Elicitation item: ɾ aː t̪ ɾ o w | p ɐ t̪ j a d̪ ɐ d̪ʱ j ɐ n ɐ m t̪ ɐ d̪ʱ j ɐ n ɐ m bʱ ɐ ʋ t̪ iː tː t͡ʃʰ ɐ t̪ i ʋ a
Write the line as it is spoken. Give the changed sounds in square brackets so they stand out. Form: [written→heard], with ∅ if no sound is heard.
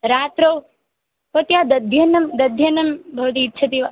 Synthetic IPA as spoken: ɾ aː t̪ ɾ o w | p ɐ t̪ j a d̪ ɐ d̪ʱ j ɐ n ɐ m [t̪→d̪] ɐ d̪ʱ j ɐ n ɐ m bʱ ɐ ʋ t̪ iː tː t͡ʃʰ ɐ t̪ i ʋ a